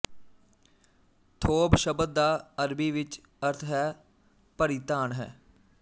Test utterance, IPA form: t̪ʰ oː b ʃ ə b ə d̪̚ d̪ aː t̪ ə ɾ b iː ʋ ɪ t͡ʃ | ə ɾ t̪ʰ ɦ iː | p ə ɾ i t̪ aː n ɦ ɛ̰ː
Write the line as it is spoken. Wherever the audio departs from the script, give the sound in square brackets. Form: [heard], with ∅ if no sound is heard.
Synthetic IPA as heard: t̪ʰ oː b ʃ ə b ə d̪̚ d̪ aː [∅] ə ɾ b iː ʋ ɪ t͡ʃ | ə ɾ t̪ʰ ɦ [ɛː] | p ə ɾ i t̪ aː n ɦ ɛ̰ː